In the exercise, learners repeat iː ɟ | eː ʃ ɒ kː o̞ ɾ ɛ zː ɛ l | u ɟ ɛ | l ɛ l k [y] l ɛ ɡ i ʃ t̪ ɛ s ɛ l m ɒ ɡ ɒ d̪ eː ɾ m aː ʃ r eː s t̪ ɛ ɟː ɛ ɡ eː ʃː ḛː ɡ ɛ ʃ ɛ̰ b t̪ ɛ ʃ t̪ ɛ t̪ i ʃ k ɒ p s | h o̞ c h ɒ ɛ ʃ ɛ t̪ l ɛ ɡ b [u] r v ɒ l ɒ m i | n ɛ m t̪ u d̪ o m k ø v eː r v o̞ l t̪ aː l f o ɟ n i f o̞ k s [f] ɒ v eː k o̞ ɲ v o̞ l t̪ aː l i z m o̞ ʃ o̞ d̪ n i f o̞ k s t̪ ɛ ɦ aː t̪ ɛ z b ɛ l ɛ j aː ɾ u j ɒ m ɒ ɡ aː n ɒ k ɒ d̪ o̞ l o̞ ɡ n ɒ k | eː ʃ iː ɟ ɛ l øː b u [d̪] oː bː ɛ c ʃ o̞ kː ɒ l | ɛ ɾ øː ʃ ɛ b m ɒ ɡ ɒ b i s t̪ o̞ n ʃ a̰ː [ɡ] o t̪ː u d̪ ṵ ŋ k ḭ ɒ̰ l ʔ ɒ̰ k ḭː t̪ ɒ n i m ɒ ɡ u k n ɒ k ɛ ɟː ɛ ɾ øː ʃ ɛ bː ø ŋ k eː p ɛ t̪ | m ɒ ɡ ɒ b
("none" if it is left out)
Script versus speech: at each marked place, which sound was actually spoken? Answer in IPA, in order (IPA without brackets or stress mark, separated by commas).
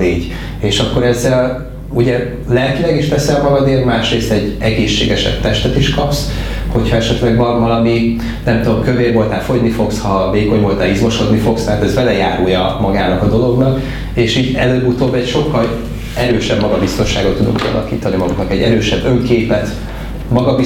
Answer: i, ɒ, h, t̪, ɡ